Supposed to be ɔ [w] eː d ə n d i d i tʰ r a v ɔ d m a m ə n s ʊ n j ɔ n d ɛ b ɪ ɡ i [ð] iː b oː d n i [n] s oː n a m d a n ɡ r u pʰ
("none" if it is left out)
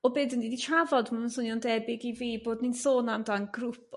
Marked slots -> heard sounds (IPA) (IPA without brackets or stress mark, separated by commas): b, v, n